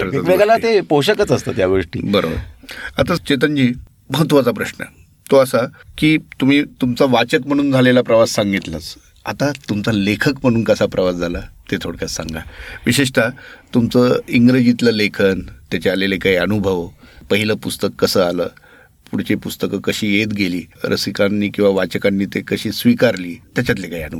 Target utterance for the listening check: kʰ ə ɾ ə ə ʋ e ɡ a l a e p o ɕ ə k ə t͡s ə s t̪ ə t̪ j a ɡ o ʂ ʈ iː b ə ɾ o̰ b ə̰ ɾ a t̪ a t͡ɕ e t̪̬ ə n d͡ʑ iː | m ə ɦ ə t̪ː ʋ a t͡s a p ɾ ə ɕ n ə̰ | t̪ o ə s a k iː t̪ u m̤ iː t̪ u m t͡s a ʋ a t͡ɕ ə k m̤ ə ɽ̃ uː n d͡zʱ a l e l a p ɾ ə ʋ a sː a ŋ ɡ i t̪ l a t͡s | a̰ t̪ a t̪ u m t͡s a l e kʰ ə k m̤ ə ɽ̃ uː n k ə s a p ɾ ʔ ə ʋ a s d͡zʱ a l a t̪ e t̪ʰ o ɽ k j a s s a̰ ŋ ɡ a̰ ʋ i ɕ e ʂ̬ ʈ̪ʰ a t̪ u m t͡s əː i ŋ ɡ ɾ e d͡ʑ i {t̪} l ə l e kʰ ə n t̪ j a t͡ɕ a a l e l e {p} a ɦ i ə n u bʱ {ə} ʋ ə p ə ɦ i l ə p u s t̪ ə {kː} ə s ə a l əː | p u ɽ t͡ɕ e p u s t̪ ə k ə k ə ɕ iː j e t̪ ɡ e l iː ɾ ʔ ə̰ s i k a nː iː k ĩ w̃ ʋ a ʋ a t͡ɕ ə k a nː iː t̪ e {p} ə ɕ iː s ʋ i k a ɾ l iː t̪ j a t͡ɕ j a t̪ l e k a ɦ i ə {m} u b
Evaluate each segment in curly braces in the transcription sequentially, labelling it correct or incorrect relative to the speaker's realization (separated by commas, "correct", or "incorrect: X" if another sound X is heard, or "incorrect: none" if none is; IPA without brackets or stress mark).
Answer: correct, incorrect: k, correct, correct, incorrect: k, incorrect: n